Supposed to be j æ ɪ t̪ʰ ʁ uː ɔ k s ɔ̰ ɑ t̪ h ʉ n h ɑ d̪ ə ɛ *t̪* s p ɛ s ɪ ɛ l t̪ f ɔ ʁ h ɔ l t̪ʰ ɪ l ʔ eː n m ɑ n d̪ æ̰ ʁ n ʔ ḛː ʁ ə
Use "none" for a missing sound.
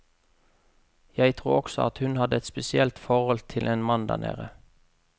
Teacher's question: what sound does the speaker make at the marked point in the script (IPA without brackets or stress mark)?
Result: t̪